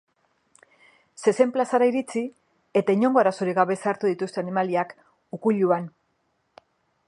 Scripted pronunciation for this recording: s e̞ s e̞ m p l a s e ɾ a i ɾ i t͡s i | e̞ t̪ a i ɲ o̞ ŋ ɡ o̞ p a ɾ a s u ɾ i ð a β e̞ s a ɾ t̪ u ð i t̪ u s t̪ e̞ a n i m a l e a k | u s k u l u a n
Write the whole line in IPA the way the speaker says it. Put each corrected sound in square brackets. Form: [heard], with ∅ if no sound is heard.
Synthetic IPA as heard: s e̞ s e̞ m p l a s [a] ɾ a i ɾ i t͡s i | e̞ t̪ a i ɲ o̞ ŋ ɡ o̞ [∅] a ɾ a s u ɾ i [ɣ] a β e̞ s a ɾ t̪ u ð i t̪ u s t̪ e̞ a n i m a l [i] a k | u [∅] k u [ʎ] u a n

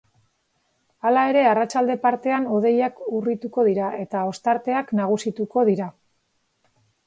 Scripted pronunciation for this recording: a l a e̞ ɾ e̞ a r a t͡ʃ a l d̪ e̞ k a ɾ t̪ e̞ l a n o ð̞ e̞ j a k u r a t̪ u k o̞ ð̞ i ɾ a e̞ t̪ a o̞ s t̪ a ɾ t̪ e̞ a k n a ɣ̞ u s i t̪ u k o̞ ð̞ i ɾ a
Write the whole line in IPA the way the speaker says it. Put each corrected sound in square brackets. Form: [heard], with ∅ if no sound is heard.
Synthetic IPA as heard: a l a e̞ ɾ e̞ a r a t͡ʃ a l d̪ e̞ [p] a ɾ t̪ e̞ [∅] a n o ð̞ e̞ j a k u r [i] t̪ u k o̞ ð̞ i ɾ a e̞ t̪ a o̞ s t̪ a ɾ t̪ e̞ a k n a ɣ̞ u s i t̪ u k o̞ ð̞ i ɾ a

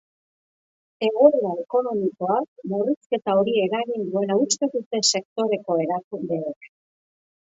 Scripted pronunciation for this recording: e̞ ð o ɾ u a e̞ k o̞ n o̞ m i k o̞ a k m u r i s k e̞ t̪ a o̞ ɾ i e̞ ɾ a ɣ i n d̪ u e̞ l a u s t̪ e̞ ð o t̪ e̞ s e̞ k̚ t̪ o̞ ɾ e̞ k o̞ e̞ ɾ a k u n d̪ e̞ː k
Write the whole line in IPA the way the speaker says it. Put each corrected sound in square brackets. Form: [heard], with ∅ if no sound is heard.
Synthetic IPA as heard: e̞ [ɣ] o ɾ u a e̞ k o̞ n o̞ m i k o̞ a k m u r i s k e̞ t̪ a o̞ ɾ i e̞ ɾ a ɣ i n d̪ u e̞ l a u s t̪ e̞ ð [u] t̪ e̞ s e̞ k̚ t̪ o̞ ɾ e̞ k o̞ e̞ ɾ a k u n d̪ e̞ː k

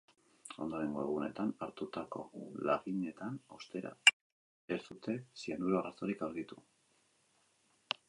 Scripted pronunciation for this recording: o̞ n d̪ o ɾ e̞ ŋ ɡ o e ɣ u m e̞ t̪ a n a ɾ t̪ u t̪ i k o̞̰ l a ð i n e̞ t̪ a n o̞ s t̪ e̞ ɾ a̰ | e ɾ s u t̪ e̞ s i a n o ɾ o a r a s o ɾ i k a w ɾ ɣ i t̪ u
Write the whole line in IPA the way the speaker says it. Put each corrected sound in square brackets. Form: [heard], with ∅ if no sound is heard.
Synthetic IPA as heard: o̞ n d̪ o ɾ e̞ ŋ ɡ o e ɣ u [n] e̞ t̪ a n a ɾ t̪ u t̪ [a] k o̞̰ l a [ɣ] i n e̞ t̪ a n o̞ s t̪ e̞ ɾ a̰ | e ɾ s u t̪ e̞ s i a n [u] ɾ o a r a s o ɾ i k a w ɾ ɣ i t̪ u

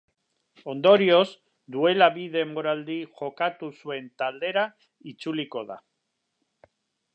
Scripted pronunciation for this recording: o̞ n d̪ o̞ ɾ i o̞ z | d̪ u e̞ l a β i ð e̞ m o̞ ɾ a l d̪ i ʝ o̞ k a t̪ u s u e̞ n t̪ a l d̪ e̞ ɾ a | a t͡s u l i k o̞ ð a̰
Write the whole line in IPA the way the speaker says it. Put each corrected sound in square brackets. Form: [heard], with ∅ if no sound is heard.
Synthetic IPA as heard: o̞ n d̪ o̞ ɾ i o̞ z | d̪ u e̞ l a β i ð e̞ m o̞ ɾ a l d̪ i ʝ o̞ k a t̪ u s u e̞ n t̪ a l d̪ e̞ ɾ a | [i] t͡s u l i k o̞ ð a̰

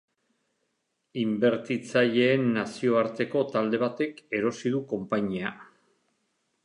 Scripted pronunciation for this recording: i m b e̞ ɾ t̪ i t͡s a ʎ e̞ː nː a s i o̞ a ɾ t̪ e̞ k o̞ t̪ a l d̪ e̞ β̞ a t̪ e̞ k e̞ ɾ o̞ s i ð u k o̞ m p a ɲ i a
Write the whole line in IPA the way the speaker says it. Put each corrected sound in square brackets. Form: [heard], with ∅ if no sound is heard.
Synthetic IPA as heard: i m b e̞ ɾ t̪ i t͡s a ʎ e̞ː nː a s i o̞ a ɾ t̪ e̞ k o̞ t̪ a l d̪ e̞ β̞ a t̪ e̞ k e̞ ɾ o̞ s i ð u k o̞ m p a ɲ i a

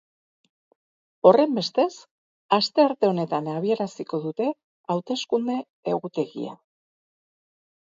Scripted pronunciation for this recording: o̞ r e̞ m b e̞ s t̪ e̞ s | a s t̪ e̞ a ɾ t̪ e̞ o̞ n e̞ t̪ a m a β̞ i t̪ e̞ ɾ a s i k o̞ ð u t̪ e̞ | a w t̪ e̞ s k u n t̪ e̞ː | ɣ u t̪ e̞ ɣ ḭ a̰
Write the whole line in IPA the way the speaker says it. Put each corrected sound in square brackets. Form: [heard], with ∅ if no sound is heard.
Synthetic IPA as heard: o̞ r e̞ m b e̞ s t̪ e̞ s | a s t̪ e̞ a ɾ t̪ e̞ o̞ n e̞ t̪ a [n] a β̞ i [∅] e̞ ɾ a s i k o̞ ð u t̪ e̞ | a w t̪ e̞ s k u n [d̪] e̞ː | ɣ u t̪ e̞ ɣ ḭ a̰

